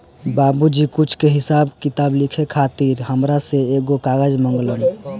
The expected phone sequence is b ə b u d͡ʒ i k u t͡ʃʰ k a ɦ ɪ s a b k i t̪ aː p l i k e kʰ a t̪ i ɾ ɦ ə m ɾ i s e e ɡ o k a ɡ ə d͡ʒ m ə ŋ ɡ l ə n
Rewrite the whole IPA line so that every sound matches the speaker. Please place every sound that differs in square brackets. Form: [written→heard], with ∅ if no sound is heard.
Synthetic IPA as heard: b [ə→a] b u d͡ʒ i k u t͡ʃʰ k [a→e] ɦ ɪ s a b k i t̪ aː [p→b] l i [k→kʰ] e kʰ a t̪ i ɾ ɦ ə m ɾ [i→a] s e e ɡ o k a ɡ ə d͡ʒ m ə ŋ ɡ l ə n